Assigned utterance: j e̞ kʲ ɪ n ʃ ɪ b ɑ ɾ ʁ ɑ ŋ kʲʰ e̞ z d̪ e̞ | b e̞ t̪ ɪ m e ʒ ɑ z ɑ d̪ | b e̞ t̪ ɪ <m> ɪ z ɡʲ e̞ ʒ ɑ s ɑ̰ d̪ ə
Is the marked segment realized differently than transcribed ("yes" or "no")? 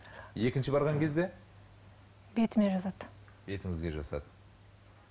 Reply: yes